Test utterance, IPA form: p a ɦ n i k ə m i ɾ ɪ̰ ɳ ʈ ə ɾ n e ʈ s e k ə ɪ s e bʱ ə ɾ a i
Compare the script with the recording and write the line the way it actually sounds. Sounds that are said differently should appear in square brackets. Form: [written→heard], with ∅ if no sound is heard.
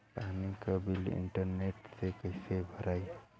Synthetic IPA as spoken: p a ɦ n i k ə [m→b] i [ɾ→l] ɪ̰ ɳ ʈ ə ɾ n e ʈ s e k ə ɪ s e bʱ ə ɾ a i